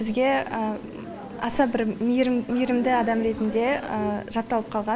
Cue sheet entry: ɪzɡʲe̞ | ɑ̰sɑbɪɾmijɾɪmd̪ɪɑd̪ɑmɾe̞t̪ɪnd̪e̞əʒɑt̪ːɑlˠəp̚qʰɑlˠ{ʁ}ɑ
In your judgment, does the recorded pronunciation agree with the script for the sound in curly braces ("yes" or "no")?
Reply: yes